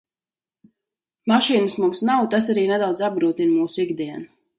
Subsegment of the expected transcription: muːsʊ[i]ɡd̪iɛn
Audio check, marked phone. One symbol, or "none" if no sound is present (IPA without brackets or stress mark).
i